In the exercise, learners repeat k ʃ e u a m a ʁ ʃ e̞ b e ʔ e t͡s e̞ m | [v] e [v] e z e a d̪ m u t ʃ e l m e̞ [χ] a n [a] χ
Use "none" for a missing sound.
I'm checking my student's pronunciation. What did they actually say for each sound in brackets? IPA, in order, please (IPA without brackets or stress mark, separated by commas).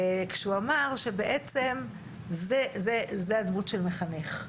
z, z, χ, e